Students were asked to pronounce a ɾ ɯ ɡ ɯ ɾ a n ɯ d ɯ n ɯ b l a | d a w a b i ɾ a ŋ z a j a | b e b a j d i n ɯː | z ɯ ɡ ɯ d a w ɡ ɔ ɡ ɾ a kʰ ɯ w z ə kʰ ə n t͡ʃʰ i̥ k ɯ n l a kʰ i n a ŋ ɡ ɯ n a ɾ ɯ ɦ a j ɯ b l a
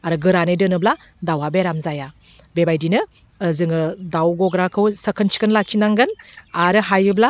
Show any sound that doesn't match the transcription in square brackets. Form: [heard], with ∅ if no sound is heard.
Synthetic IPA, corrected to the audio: a ɾ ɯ ɡ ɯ ɾ a n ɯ d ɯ n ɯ b l a | d a w a b [e] ɾ a [m] z a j a | b e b a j d i n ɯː | z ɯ [ŋ] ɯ d a w ɡ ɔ ɡ ɾ a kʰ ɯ w [s] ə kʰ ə n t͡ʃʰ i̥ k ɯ n l a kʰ i n a ŋ ɡ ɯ n a ɾ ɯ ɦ a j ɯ b l a